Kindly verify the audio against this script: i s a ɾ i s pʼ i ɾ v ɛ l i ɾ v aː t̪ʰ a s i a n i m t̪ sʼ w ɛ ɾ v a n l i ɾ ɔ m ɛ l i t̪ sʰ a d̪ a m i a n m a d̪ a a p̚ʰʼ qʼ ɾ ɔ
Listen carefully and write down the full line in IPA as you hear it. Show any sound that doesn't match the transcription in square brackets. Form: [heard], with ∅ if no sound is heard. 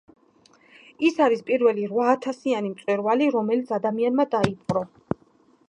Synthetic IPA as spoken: i s a ɾ i s pʼ i ɾ v ɛ l i ɾ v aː t̪ʰ a s i a n i m t̪ sʼ w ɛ ɾ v a [∅] l i ɾ ɔ m ɛ l i t̪ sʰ a d̪ a m i a n m a d̪ a [i] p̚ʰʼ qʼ ɾ ɔ